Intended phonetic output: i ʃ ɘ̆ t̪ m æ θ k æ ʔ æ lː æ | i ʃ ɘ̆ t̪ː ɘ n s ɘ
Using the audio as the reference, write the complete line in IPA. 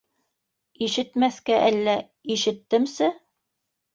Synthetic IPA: i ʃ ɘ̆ t̪ m æ θ k æ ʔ æ lː æ | i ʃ ɘ̆ t̪ː ɘ m s ɘ